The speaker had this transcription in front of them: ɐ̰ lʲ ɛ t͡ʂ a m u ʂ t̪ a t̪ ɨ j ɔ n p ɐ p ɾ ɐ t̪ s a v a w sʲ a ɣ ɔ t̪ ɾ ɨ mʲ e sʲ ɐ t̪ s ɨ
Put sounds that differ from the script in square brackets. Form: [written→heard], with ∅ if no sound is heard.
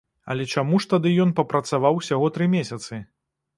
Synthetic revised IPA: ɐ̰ lʲ ɛ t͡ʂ a m u ʂ t̪ a [t̪→d̪] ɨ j ɔ n p ɐ p ɾ ɐ t̪ s a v a w sʲ a ɣ ɔ t̪ ɾ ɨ mʲ e sʲ ɐ t̪ s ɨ